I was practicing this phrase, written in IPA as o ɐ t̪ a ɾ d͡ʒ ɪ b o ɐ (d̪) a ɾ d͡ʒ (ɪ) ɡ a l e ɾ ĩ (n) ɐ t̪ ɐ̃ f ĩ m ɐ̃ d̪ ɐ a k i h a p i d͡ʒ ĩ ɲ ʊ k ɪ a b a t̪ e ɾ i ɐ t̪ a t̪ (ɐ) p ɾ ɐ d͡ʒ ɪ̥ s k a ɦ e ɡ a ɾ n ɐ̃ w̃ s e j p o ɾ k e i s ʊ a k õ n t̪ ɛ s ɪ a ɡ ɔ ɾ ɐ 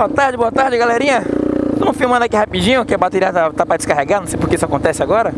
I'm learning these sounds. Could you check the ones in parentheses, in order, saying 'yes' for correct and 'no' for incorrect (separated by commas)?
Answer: no, yes, no, no